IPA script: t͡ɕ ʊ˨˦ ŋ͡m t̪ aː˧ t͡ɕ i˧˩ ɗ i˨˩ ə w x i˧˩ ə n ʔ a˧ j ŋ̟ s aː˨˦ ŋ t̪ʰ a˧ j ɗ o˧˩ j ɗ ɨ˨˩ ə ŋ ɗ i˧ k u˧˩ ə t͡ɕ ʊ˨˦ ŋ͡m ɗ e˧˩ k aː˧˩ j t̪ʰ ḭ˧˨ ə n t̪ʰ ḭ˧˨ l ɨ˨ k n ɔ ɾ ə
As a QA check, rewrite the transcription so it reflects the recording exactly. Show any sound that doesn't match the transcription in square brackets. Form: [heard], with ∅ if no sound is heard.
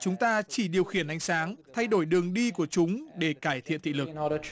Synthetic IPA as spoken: t͡ɕ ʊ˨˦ ŋ͡m t̪ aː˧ t͡ɕ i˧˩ ɗ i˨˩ ə w x i˧˩ ə n ʔ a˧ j ŋ̟ s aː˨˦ ŋ t̪ʰ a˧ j ɗ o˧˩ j ɗ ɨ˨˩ ə ŋ ɗ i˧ k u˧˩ ə t͡ɕ ʊ˨˦ ŋ͡m ɗ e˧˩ k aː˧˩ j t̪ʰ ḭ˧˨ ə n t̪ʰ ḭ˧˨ l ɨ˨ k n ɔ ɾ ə